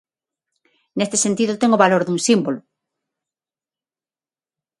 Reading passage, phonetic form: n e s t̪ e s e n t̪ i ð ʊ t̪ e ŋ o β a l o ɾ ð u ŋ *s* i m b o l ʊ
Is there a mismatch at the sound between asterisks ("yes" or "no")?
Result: no